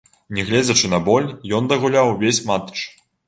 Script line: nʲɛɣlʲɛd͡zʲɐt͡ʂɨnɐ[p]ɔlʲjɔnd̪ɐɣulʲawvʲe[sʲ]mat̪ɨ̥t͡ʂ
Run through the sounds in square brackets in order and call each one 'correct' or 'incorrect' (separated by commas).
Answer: incorrect, correct